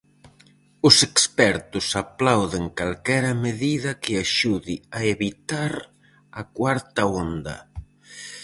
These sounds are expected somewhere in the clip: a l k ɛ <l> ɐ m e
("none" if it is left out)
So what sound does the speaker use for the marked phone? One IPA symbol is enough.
ɾ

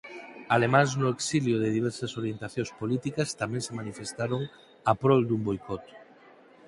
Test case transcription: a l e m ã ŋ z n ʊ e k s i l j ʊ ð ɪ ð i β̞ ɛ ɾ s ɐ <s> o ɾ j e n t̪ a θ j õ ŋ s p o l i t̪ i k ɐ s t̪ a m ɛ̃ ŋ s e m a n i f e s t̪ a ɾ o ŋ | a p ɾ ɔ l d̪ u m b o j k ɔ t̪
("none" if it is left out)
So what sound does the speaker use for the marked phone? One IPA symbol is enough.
s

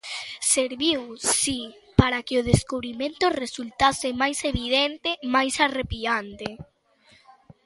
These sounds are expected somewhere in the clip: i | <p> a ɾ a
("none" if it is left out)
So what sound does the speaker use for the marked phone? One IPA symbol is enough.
p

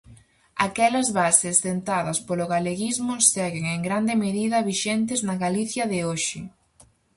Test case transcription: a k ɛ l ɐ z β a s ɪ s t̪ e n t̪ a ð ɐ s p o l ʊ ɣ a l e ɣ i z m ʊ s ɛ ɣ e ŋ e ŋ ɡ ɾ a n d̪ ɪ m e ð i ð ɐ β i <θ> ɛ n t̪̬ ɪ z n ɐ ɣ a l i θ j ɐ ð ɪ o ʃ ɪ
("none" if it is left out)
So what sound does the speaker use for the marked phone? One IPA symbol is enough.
ʃ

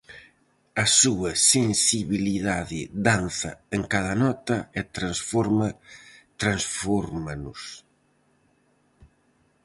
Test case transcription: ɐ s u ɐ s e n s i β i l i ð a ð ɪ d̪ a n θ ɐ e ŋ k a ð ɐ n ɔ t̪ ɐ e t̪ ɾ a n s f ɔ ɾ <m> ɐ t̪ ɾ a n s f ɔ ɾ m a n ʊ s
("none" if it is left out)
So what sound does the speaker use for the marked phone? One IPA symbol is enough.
m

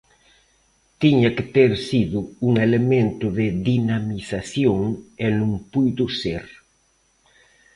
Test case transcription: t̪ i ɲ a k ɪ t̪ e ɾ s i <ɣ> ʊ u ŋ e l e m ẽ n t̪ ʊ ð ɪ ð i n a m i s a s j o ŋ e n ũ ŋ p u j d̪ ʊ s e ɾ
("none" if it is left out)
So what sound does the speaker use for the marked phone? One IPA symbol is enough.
ð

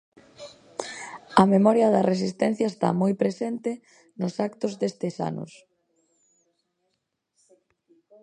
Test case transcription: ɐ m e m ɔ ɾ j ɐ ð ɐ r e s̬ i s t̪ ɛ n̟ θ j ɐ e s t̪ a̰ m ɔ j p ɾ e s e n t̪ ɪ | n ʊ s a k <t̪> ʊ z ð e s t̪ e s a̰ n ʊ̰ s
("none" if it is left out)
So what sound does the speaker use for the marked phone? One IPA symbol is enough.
t̪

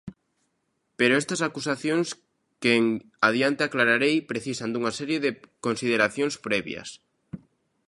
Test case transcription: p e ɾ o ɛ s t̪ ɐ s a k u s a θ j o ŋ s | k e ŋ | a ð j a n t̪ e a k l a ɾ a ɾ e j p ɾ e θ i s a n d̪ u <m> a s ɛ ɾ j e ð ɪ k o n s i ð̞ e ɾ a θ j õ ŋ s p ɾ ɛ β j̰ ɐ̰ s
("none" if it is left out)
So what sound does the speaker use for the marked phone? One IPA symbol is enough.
ŋ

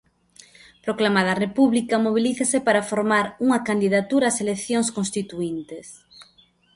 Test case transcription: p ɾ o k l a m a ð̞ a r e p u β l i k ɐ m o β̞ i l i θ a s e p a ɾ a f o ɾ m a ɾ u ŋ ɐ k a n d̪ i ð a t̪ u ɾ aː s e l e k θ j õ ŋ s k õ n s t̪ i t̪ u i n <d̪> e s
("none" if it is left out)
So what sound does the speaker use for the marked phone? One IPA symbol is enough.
t̪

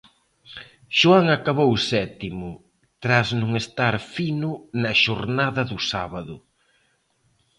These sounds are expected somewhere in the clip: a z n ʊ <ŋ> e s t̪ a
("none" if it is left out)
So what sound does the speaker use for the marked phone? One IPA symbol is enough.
ŋ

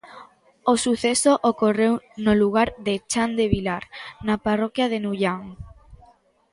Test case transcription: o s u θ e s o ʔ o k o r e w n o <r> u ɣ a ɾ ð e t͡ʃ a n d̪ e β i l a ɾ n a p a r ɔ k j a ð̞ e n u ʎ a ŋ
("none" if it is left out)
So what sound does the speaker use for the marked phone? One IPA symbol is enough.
l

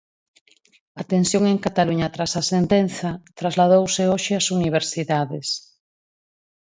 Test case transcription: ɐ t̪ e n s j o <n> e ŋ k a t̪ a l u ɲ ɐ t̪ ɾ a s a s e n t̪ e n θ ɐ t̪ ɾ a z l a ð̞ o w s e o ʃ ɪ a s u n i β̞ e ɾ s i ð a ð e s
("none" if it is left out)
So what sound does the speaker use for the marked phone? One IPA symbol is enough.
ŋ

